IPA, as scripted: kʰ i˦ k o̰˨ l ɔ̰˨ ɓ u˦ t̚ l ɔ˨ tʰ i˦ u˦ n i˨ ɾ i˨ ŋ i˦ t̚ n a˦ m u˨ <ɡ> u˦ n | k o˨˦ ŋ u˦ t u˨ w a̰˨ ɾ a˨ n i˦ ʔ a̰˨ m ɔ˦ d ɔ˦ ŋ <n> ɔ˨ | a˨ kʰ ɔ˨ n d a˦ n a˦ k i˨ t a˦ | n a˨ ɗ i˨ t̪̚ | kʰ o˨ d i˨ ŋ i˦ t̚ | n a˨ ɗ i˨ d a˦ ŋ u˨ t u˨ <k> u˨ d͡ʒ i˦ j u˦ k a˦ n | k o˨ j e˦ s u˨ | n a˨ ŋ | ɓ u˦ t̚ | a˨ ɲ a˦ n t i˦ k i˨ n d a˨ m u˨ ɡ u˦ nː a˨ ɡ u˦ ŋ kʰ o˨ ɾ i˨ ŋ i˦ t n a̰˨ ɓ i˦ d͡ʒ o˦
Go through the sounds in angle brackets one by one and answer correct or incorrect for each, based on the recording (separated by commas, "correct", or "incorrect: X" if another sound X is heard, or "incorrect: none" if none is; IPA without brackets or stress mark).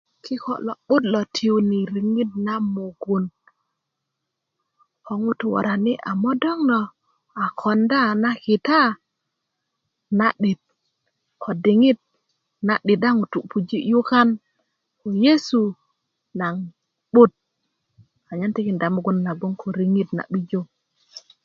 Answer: correct, correct, incorrect: p